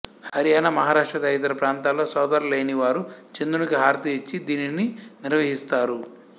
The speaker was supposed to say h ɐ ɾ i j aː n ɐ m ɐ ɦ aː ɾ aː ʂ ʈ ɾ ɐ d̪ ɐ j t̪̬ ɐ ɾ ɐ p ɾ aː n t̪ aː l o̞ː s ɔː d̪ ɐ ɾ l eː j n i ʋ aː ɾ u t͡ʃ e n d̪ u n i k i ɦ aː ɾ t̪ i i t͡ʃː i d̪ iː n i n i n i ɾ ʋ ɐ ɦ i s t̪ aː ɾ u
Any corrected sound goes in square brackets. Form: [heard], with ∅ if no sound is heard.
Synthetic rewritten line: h ɐ ɾ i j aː n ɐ m ɐ ɦ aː ɾ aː ʂ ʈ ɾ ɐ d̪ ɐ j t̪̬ ɐ ɾ ɐ p ɾ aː n t̪ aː l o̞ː s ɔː d̪ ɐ ɾ l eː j n i ʋ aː ɾ u t͡ʃ e n d̪ u n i k i ɦ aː ɾ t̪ i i t͡ʃː i d̪ iː n i n i n i ɾ ʋ ɐ ɦ i s t̪ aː ɾ u